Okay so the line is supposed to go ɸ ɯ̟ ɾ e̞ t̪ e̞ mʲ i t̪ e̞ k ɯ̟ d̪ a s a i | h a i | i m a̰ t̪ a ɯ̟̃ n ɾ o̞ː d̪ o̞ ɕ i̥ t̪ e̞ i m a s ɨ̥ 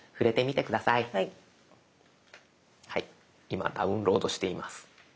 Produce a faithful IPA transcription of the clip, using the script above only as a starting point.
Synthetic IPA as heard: ɸ ɯ̟ ɾ e̞ t̪ e̞ mʲ i t̪ e̞ k ɯ̟ d̪ a s a i | h a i | i m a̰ d̪ a ɯ̟̃ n ɾ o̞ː d̪ o̞ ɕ i̥ t̪ e̞ i m a s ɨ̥